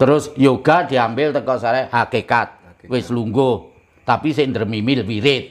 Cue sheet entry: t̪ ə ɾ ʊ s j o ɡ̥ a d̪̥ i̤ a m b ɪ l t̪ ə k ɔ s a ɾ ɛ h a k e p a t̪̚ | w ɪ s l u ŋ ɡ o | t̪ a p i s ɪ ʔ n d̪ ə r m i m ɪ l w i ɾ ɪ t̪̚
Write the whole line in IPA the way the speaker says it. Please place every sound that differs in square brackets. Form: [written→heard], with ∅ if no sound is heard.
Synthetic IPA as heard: t̪ ə ɾ ʊ s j o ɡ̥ a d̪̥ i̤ a m b ɪ l t̪ ə k ɔ s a ɾ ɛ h a k e [p→k] a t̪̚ | w ɪ s l u ŋ ɡ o | t̪ a p i s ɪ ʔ n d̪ ə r m i m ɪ l w i ɾ ɪ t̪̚

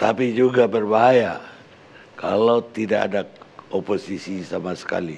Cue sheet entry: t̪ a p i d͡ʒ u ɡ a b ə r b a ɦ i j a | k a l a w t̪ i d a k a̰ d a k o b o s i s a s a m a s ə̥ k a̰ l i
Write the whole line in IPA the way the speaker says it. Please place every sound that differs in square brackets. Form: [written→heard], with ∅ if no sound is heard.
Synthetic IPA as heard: t̪ a p i d͡ʒ u ɡ a b ə r b a ɦ [i→a] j a | k a l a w t̪ i d a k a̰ d a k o [b→p] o s i s [a→i] s a m a s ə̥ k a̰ l i

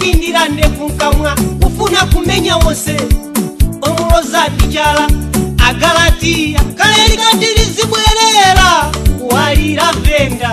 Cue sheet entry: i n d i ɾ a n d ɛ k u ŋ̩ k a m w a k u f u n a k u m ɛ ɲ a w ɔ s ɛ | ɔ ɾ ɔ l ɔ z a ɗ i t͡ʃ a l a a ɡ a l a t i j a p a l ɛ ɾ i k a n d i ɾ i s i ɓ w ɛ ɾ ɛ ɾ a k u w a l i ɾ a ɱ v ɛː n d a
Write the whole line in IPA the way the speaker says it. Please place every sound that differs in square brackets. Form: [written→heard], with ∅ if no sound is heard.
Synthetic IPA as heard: i n d i ɾ a n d ɛ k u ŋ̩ k a m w a k u f u n a k u m ɛ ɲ a w ɔ s ɛ | ɔ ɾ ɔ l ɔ z a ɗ i t͡ʃ a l a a ɡ a l a t i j a [p→k] a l ɛ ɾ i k a n d i ɾ i [s→z] i ɓ w ɛ ɾ ɛ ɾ a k u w a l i ɾ a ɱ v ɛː n d a

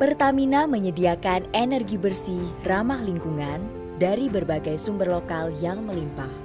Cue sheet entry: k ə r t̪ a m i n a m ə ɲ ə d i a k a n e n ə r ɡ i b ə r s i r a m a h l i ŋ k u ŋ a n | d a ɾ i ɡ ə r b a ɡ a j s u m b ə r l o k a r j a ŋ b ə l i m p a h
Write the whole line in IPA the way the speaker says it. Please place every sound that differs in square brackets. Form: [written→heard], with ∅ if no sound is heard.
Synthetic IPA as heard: [k→p] ə r t̪ a m i n a m ə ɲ ə d i a k a n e n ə r ɡ i b ə r s i r a m a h l i ŋ k u ŋ a n | d a ɾ i [ɡ→b] ə r b a ɡ a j s u m b ə r l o k a [r→l] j a ŋ [b→m] ə l i m p a h

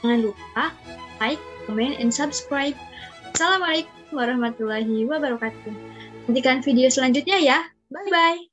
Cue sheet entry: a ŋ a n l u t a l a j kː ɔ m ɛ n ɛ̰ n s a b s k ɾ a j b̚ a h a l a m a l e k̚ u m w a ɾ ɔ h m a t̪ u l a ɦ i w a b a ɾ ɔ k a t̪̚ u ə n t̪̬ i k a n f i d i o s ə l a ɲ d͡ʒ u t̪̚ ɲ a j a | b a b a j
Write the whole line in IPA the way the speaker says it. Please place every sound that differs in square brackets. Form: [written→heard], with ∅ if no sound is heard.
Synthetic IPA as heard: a ŋ a n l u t a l a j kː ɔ m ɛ n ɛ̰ n s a b s k ɾ a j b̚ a [h→s] a l a m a l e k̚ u m w a ɾ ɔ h m a t̪ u l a ɦ i w a b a ɾ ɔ k a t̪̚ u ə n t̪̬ i k a n f i d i o s ə l a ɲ d͡ʒ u t̪̚ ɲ a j a | b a b a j

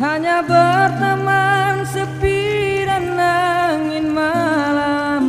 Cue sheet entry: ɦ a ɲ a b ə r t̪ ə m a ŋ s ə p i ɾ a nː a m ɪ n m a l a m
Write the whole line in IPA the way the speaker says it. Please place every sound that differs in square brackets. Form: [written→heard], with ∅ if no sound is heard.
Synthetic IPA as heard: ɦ a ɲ a b ə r t̪ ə m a [ŋ→n] s ə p i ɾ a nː a [m→ŋ] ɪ n m a l a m

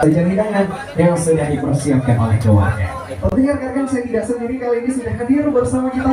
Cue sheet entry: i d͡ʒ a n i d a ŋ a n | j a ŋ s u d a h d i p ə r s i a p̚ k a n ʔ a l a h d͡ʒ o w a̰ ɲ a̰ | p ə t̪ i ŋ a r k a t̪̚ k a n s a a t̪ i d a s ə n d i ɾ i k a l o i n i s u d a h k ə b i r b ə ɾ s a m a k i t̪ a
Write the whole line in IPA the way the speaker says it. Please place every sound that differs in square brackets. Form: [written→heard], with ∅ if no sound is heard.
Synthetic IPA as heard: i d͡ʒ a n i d a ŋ a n | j a ŋ s u d a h d i p ə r s i a p̚ k a n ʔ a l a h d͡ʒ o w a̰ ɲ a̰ | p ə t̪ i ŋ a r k a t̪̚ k a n s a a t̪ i d a s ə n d i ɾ i k a l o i n i s u d a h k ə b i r b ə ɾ s a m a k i t̪ a

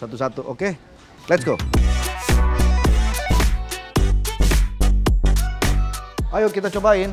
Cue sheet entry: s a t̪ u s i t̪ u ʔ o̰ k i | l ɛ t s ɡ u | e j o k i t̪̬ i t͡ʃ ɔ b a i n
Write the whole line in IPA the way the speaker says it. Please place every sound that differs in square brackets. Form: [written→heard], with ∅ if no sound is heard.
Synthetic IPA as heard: s a t̪ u s [i→a] t̪ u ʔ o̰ k [i→e] | l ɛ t s ɡ [u→o] | [e→a] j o k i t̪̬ [i→a] t͡ʃ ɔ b a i n

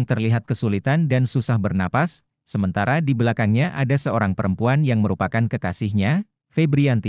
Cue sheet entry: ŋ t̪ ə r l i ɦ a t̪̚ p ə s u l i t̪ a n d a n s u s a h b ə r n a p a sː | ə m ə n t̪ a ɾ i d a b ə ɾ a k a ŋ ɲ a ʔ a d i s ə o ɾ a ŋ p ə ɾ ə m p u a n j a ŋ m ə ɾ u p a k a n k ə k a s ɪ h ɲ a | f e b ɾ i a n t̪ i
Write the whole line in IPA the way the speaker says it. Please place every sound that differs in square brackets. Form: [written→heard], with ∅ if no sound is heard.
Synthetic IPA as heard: ŋ t̪ ə r l i ɦ a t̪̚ [p→k] ə s u l i t̪ a n d a n s u s a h b ə r n a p a sː | ə m ə n t̪ a ɾ [i→a] d [a→i] b ə [ɾ→l] a k a ŋ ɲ a ʔ a d [i→a] s ə o ɾ a ŋ p ə ɾ ə m p u a n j a ŋ m ə ɾ u p a k a n k ə k a s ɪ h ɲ a | f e b ɾ i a n t̪ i

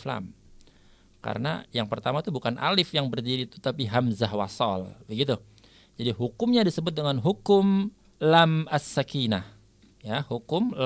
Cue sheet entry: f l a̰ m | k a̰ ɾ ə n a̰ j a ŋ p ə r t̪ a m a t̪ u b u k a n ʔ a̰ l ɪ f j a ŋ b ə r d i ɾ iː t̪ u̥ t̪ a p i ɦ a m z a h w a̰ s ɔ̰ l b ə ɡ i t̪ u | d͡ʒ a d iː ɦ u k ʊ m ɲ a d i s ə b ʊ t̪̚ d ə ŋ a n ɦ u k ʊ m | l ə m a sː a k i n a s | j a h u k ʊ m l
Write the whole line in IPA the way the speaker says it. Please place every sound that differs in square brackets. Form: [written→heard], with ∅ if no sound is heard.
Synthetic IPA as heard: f l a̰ m | k a̰ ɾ ə n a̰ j a ŋ p ə r t̪ a m a t̪ u b u k a n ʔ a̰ l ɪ f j a ŋ b ə r d i ɾ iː t̪ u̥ t̪ a p i ɦ a m z a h w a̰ s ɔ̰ l b ə ɡ i t̪ u | d͡ʒ a d [iː→i] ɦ u k ʊ m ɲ a d i s ə b ʊ t̪̚ d ə ŋ a n ɦ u k ʊ m | l [ə→a] m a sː a k i n a [s→h] | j a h u k ʊ m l

